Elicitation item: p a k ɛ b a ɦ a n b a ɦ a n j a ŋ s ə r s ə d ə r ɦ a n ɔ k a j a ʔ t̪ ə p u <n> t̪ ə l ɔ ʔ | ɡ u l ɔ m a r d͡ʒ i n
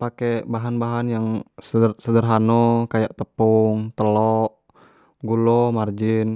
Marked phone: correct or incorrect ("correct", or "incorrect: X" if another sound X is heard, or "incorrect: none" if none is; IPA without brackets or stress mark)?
incorrect: ŋ